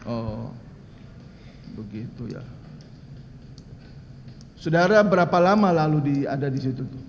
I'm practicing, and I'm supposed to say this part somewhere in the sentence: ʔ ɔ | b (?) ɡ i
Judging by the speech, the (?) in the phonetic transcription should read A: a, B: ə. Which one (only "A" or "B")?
B